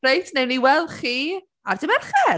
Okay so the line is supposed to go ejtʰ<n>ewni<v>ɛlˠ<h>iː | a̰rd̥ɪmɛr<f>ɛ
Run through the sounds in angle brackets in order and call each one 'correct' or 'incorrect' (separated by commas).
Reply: correct, incorrect, incorrect, incorrect